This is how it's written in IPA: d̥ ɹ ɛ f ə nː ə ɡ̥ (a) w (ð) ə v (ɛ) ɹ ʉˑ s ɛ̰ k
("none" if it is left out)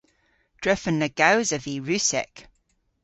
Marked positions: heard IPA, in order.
a, z, i

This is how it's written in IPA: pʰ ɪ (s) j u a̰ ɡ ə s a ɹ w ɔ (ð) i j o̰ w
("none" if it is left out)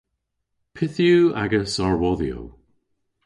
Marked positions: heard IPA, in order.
θ, ð

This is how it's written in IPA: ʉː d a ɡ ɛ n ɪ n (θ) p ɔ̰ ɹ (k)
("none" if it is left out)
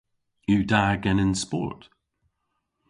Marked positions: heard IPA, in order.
s, t

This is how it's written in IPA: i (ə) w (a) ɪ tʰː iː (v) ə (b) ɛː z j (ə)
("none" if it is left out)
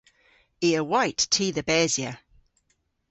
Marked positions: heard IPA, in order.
ə, a, ð, b, ə

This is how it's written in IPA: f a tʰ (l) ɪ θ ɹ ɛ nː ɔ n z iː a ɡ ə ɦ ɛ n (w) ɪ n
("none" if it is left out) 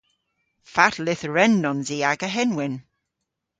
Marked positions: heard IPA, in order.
l, w

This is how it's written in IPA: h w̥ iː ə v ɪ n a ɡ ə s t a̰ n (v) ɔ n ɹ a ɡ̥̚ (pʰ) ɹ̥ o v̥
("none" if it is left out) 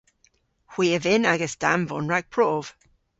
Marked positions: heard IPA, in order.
v, pʰ

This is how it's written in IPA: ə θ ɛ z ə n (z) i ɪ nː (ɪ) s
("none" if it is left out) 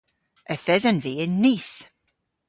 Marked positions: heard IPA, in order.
v, i

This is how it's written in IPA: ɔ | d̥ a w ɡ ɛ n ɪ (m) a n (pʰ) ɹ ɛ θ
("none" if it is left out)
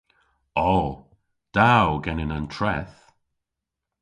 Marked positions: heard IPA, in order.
n, tʰ

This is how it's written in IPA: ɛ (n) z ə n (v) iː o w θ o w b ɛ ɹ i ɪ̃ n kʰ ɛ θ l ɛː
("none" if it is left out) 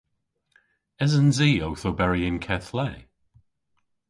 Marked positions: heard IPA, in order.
none, z

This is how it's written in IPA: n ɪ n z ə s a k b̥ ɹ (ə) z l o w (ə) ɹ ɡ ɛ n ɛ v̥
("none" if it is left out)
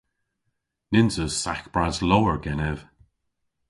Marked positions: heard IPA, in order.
a, ə

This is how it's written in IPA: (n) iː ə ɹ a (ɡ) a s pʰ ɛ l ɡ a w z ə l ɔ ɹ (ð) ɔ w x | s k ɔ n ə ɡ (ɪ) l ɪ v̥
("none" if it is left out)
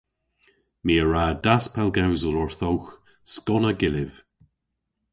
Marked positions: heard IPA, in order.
m, d, θ, ɪ

